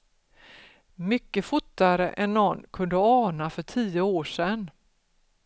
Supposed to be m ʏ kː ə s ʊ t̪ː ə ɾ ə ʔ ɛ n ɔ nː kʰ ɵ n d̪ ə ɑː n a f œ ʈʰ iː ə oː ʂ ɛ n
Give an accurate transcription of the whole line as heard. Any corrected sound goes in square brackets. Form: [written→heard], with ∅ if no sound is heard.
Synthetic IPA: m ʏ kː ə [s→f] ʊ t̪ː [ə→a] ɾ ə ʔ ɛ [n→nː] ɔ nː kʰ ɵ n d̪ ə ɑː n a f œ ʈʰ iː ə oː ʂ ɛ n